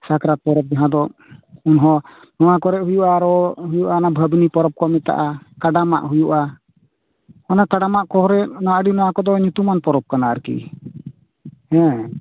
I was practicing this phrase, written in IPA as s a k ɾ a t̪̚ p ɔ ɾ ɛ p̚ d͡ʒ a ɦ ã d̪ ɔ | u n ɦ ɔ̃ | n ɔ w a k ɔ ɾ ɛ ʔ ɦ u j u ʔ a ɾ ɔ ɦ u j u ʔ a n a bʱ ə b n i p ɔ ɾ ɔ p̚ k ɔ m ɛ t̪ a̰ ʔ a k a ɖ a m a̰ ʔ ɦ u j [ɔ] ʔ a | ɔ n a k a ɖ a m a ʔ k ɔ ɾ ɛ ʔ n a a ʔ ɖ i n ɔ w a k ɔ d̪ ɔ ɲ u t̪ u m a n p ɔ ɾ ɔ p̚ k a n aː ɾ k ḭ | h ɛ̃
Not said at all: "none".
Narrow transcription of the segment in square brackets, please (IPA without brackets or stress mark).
u